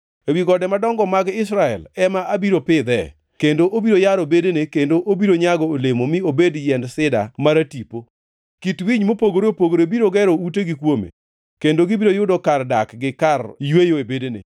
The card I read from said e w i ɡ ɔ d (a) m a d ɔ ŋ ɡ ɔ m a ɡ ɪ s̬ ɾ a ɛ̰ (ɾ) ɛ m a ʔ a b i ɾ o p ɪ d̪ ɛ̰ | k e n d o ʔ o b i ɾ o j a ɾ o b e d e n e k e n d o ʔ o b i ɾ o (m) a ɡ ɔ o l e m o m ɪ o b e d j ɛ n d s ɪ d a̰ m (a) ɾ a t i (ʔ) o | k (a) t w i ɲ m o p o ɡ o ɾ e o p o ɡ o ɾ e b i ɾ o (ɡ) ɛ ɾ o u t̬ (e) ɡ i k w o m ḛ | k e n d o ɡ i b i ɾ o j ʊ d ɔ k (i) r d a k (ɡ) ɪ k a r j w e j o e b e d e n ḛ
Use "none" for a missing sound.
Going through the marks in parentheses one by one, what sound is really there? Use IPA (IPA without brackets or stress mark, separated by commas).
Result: ɛ, l, ɲ, a, p, i, ɡ, e, a, ɡ